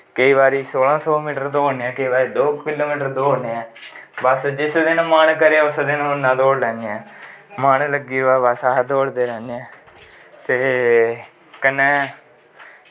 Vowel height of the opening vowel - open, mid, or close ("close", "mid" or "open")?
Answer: mid